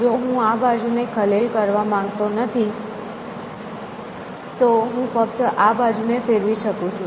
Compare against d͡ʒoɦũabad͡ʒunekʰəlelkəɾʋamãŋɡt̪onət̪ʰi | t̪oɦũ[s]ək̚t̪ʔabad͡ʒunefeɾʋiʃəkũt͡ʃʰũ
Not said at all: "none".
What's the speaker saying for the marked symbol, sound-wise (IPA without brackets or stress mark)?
f